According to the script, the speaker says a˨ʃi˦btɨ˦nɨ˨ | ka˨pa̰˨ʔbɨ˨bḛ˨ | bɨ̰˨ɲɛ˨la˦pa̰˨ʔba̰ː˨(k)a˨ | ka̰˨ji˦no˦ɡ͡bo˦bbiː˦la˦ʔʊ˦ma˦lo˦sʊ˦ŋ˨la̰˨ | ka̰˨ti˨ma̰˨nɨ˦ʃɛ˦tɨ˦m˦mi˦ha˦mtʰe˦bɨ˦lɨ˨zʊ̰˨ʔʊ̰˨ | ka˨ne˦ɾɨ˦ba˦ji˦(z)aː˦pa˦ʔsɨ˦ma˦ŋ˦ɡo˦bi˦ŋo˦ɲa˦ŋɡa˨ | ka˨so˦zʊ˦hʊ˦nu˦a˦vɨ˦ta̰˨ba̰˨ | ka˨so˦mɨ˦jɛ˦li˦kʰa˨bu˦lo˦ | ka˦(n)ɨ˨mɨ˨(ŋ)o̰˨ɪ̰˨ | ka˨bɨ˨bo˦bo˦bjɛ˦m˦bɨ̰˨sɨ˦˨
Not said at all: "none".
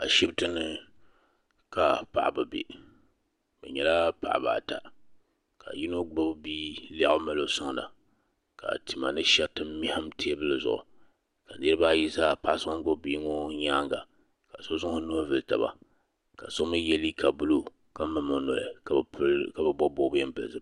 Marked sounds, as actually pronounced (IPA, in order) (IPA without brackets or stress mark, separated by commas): t, z, m, n